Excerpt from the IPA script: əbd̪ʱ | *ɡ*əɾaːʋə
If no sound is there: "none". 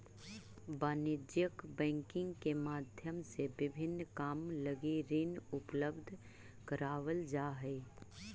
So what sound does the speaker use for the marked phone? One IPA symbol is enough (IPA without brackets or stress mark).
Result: k